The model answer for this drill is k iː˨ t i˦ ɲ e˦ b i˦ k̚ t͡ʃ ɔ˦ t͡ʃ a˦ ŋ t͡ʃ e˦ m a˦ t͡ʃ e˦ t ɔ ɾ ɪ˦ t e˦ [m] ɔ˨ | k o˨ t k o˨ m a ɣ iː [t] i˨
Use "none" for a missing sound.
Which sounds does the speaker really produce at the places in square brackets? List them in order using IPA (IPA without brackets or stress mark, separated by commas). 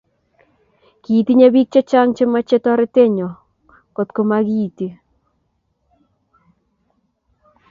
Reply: ɲ, t